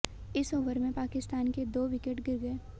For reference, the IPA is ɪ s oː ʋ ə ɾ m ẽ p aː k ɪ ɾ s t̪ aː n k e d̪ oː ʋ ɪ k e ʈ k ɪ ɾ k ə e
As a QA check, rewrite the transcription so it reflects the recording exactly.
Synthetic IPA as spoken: ɪ s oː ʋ ə ɾ m ẽ p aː k ɪ s t̪ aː n k e d̪ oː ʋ ɪ k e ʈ ɡ ɪ ɾ ɡ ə e